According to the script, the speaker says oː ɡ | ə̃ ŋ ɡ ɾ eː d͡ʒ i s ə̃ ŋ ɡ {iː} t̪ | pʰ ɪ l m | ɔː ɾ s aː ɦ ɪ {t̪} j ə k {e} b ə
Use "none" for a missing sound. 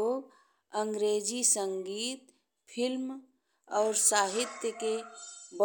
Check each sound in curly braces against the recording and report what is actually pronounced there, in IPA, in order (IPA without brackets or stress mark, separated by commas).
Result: iː, t̪, e